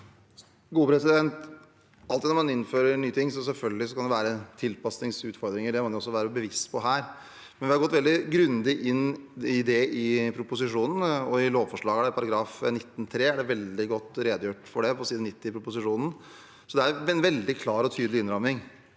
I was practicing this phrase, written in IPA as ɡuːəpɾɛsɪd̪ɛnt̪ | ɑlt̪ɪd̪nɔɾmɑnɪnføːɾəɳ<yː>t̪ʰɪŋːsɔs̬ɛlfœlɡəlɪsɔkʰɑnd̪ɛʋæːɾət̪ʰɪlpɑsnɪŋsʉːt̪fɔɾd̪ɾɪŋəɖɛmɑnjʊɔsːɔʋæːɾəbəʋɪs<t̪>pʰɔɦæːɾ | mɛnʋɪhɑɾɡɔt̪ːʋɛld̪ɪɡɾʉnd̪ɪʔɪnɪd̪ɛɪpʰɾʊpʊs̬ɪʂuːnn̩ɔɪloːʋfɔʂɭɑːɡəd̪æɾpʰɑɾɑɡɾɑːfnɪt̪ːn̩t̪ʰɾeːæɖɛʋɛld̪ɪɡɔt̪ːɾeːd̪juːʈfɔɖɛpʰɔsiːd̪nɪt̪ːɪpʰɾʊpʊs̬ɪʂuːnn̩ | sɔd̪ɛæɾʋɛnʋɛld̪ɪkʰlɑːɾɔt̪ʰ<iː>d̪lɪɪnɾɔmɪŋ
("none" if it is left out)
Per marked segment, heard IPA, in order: yː, t̪, yː

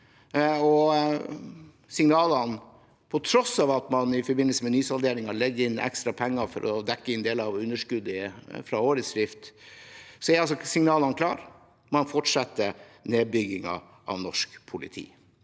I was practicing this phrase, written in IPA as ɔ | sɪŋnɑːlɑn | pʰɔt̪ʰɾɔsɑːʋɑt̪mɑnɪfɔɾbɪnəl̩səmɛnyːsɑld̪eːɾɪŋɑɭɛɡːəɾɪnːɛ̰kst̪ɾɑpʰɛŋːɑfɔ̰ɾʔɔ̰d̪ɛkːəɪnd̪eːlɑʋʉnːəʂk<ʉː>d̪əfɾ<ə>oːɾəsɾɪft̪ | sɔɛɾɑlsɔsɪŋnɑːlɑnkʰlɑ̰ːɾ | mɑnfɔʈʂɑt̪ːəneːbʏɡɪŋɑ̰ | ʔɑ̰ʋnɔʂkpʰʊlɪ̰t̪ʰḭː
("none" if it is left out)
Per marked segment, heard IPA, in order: ʉ, ɑ

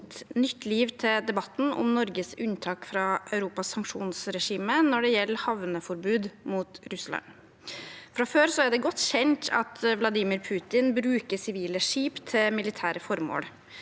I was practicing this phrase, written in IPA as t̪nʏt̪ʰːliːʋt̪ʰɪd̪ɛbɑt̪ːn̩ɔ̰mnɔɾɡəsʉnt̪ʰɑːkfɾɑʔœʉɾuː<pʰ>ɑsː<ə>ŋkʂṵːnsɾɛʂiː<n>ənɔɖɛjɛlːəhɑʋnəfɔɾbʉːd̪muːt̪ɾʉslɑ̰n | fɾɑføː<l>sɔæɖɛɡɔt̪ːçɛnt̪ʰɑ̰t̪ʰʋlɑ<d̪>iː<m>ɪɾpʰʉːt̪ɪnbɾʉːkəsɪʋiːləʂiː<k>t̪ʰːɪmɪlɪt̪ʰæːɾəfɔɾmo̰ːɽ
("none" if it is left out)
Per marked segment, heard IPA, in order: p, ɑ, m, ɾ, d̪, m, p

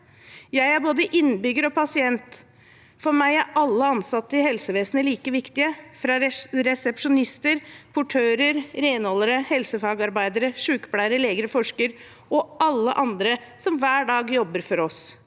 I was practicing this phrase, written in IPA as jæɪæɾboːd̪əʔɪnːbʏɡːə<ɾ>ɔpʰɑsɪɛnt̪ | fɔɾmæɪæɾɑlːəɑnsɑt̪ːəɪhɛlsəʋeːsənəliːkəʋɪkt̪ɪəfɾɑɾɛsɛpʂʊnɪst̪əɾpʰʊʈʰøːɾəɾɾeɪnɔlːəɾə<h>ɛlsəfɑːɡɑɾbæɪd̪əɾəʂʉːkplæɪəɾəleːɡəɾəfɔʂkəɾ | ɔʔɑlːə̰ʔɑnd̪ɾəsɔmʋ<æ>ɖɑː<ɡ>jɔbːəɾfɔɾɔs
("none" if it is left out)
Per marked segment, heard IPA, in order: ɾ, h, æː, ɡ

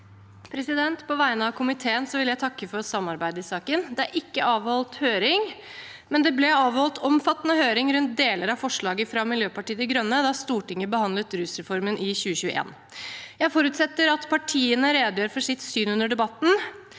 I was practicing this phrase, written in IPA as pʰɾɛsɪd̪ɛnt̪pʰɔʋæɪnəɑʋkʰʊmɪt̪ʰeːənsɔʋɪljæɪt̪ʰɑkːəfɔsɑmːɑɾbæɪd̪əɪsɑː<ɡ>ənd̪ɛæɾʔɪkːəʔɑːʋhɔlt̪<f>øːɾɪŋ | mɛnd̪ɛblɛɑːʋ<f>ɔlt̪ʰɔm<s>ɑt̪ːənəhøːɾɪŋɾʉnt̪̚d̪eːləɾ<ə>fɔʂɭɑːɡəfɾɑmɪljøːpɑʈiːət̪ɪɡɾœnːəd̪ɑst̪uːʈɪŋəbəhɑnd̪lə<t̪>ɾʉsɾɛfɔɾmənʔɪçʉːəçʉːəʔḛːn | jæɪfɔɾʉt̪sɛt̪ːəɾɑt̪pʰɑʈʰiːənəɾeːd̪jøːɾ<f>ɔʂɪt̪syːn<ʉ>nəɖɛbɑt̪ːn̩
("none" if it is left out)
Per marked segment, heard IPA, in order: k, h, h, f, ɑ, t̪, f, ʉ

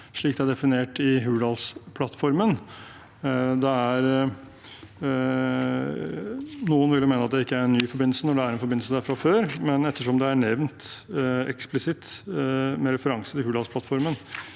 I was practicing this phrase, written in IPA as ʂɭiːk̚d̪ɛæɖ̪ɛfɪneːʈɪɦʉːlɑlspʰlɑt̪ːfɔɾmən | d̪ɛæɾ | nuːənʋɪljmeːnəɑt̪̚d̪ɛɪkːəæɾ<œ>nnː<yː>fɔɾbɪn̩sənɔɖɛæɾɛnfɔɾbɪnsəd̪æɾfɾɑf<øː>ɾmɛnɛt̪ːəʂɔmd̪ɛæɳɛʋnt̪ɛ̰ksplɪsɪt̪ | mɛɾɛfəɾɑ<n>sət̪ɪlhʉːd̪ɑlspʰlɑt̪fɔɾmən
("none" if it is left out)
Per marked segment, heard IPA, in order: ɛ, yː, øː, ŋ

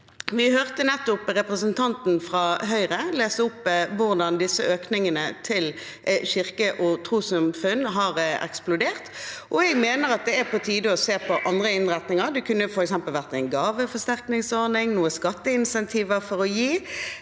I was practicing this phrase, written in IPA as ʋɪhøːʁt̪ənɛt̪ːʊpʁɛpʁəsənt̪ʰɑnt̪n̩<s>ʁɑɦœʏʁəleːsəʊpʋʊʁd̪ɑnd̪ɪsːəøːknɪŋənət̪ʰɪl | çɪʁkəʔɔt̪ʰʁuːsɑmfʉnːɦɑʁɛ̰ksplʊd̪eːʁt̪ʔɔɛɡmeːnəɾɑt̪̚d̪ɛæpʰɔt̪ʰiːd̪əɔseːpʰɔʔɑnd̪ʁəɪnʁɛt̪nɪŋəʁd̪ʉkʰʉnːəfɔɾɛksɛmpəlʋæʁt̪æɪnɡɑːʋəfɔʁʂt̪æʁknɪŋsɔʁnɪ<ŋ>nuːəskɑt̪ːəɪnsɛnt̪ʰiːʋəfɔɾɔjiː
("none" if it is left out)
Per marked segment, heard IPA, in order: f, ŋ

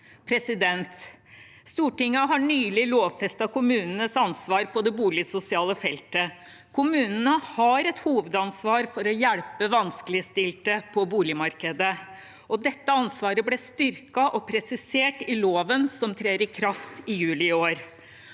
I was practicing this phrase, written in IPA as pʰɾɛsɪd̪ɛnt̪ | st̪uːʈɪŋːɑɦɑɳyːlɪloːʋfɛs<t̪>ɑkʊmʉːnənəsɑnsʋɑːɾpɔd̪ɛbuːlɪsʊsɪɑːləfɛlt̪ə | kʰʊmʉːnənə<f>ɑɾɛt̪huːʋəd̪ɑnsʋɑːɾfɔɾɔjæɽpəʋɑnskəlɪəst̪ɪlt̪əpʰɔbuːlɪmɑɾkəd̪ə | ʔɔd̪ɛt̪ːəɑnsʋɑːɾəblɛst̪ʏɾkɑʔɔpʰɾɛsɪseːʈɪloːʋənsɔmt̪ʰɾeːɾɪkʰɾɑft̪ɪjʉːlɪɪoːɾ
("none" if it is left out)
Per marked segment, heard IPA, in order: t̪, h

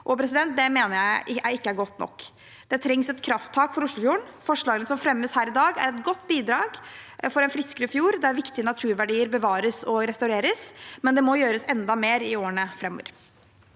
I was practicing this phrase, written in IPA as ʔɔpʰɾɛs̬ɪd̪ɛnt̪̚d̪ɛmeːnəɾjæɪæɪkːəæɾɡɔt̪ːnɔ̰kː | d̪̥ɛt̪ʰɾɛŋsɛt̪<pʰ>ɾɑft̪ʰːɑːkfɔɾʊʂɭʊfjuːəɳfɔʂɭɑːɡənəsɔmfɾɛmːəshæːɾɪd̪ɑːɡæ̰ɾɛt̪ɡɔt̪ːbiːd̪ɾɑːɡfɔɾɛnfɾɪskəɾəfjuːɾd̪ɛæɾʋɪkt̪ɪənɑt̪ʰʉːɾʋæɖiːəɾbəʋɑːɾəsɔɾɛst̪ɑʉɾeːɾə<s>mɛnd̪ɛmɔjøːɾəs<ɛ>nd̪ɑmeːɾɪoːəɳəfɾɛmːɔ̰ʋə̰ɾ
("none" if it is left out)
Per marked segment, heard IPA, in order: kʰ, s, ɛ

